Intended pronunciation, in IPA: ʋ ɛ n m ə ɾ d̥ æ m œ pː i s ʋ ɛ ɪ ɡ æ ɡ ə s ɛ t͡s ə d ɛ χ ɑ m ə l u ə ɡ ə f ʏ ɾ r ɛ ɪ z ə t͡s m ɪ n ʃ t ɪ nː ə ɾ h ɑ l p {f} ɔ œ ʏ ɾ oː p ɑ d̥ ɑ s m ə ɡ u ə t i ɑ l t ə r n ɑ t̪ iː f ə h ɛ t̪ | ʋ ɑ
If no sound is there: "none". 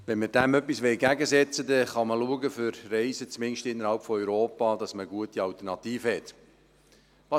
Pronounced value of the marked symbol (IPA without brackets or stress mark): f